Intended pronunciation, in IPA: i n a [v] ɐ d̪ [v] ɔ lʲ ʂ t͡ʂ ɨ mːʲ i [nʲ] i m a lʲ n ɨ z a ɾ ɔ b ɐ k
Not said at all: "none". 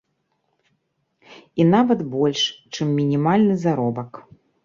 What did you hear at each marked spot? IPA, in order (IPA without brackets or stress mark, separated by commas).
v, b, nʲ